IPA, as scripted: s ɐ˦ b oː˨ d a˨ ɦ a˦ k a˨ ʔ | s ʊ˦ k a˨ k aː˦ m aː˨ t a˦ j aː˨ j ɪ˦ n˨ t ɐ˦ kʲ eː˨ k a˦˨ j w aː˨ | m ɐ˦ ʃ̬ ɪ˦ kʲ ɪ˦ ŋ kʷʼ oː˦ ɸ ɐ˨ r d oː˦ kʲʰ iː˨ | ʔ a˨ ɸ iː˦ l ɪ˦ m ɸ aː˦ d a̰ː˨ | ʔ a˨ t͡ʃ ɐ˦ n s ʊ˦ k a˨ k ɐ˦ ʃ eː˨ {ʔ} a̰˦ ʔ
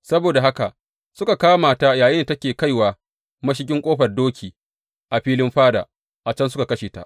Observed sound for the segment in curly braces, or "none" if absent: t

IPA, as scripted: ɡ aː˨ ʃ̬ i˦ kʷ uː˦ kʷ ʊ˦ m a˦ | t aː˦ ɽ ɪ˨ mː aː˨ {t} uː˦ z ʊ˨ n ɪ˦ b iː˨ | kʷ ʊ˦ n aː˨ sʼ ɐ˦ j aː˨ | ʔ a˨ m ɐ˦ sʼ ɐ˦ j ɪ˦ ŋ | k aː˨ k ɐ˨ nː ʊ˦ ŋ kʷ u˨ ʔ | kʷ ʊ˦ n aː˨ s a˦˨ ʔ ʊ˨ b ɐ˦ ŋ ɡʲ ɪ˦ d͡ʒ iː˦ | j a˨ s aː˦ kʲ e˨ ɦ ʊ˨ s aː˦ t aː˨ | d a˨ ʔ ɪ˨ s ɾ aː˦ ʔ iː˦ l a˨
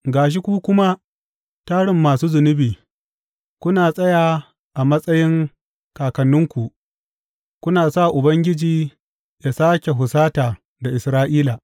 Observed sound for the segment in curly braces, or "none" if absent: s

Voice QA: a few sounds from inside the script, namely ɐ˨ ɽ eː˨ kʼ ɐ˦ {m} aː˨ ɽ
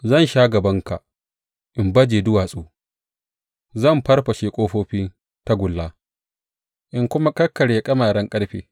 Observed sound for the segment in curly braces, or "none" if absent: m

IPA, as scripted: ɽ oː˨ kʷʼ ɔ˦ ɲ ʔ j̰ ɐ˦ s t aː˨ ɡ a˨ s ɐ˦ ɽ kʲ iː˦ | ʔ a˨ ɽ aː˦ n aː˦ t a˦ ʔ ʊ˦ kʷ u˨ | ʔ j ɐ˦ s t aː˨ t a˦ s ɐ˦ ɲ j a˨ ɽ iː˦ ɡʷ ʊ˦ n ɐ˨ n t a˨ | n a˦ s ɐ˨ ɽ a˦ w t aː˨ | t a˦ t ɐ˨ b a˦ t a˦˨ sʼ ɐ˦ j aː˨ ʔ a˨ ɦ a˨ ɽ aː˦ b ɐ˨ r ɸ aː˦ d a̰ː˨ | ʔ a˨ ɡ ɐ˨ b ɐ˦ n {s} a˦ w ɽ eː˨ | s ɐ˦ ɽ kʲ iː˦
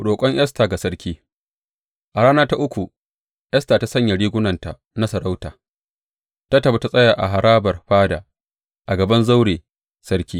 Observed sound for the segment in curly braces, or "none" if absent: z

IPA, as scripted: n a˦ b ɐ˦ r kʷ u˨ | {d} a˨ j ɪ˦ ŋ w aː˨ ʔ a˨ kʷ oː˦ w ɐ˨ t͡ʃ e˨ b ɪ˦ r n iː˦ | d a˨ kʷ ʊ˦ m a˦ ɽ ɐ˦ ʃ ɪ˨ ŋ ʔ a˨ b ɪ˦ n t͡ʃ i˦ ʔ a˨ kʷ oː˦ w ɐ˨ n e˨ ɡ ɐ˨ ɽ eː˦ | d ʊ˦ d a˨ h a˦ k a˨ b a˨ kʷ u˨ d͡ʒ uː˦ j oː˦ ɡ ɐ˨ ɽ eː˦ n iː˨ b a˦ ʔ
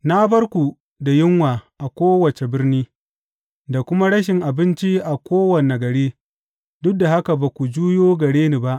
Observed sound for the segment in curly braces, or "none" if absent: d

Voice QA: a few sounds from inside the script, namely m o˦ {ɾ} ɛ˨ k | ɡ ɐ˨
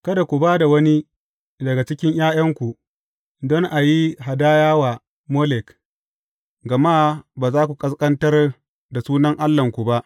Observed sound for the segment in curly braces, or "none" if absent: l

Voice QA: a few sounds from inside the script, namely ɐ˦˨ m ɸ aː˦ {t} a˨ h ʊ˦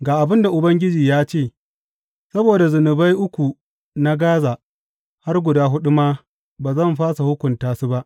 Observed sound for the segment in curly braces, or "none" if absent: s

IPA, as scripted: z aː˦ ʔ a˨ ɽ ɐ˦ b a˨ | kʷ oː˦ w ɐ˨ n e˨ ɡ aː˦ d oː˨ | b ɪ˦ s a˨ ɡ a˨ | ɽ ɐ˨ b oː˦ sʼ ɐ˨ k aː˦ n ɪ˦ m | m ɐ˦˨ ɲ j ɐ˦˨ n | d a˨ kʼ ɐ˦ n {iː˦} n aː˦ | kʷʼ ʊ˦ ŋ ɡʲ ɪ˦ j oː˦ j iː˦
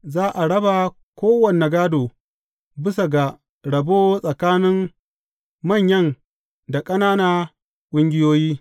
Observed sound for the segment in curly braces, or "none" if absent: aː˦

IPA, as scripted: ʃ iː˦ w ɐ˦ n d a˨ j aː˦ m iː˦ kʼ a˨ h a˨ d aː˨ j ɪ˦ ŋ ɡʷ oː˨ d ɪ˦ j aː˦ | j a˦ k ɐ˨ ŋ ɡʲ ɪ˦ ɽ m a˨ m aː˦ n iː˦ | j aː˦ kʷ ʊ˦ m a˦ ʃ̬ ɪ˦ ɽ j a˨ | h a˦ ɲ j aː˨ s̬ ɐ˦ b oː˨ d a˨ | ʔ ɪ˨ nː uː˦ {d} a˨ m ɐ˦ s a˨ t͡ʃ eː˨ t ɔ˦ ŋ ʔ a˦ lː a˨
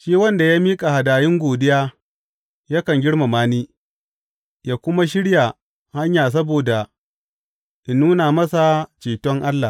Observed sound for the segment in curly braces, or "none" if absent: n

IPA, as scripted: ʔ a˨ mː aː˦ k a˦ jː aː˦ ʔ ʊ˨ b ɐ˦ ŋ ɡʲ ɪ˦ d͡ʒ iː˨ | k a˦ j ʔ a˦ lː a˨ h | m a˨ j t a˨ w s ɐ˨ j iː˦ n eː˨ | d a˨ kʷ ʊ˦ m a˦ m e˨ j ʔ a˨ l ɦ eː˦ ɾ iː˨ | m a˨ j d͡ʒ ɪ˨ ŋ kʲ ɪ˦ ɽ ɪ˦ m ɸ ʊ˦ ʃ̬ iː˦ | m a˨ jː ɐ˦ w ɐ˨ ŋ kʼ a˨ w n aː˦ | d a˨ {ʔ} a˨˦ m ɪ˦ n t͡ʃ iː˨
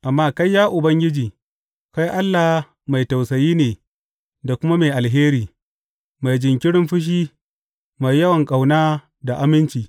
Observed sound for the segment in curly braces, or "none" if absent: ʔ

